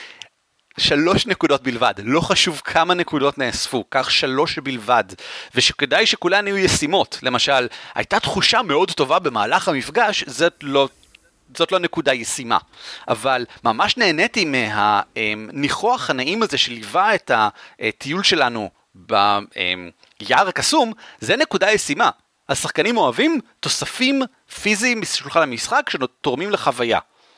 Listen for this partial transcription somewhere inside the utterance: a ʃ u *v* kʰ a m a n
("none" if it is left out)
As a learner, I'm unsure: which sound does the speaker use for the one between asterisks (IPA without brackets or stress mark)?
v